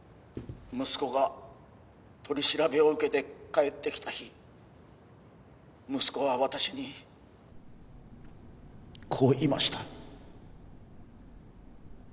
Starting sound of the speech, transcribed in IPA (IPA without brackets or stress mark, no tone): m